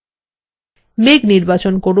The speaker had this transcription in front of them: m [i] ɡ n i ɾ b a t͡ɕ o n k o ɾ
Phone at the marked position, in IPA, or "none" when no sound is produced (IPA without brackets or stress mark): e